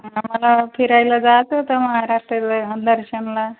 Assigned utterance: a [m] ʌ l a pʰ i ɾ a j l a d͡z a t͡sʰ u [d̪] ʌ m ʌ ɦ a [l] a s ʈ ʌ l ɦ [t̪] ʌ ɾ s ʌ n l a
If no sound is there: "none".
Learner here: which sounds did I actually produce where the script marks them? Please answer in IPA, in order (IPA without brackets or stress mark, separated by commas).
m, t̪, ɾ, d̪